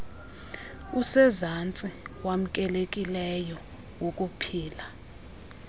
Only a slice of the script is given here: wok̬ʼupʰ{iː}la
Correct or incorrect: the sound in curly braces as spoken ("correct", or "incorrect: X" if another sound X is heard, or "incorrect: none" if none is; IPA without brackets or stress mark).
correct